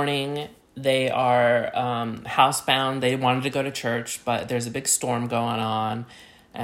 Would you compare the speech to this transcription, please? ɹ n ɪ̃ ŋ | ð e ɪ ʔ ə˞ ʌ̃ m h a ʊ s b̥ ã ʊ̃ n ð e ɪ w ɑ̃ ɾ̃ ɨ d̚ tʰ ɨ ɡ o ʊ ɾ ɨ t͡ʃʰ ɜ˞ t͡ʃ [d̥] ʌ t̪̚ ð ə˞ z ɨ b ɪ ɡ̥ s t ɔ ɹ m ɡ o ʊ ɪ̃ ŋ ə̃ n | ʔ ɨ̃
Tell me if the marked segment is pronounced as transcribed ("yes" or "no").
no